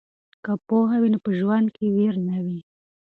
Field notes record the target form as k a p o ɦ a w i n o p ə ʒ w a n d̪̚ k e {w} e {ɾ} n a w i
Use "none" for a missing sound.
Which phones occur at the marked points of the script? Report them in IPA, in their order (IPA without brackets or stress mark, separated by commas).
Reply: w, ɾ